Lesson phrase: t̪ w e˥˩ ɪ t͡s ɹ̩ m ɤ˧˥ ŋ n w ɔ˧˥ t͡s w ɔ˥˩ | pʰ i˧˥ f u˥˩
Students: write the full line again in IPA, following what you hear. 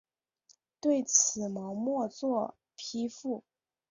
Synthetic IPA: t̪ w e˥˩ ɪ t͡sʰ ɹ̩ m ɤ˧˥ ŋ m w ɔ˥˧ t͡s w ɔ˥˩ | pʰ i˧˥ f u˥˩